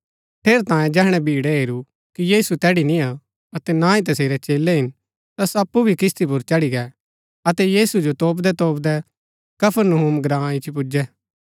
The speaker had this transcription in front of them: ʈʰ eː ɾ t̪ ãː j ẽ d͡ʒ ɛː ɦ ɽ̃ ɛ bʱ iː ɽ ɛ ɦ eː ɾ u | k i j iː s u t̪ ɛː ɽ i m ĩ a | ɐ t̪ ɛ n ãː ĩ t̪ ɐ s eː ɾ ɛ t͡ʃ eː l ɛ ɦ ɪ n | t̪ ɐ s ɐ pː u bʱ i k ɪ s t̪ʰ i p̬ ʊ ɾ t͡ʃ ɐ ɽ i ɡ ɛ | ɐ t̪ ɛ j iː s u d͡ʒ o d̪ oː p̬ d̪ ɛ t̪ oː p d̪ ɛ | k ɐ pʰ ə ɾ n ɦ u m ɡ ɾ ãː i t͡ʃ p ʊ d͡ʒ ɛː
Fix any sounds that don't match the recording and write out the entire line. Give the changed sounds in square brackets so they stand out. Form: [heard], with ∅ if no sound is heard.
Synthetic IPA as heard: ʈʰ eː ɾ t̪ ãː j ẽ d͡ʒ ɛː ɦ ɽ̃ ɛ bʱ iː ɽ ɛ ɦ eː ɾ u | k i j iː s u t̪ ɛː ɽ i [n] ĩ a | ɐ t̪ ɛ n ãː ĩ t̪ ɐ s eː ɾ ɛ t͡ʃ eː l ɛ ɦ ɪ n | t̪ ɐ s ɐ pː u bʱ i k ɪ s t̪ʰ i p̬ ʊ ɾ t͡ʃ ɐ ɽ i ɡ ɛ | ɐ t̪ ɛ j iː s u d͡ʒ o [t̪] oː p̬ d̪ ɛ t̪ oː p d̪ ɛ | k ɐ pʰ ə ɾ n ɦ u m ɡ ɾ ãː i t͡ʃ p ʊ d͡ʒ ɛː